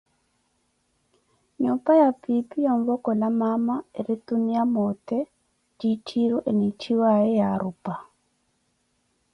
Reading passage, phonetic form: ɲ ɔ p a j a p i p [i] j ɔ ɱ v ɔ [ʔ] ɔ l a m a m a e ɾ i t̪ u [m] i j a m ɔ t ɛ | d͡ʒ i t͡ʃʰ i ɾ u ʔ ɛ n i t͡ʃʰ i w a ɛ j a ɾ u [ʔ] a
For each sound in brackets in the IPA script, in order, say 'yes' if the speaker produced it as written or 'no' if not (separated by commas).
yes, no, no, no